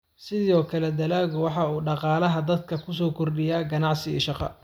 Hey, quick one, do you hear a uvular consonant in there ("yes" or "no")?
yes